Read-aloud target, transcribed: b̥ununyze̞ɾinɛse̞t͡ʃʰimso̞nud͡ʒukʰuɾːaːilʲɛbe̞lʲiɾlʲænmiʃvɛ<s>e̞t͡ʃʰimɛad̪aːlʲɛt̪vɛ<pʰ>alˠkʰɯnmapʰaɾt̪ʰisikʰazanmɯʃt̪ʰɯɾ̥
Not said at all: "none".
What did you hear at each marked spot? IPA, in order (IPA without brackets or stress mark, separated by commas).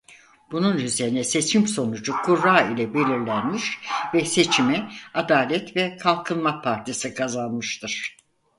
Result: s, kʰ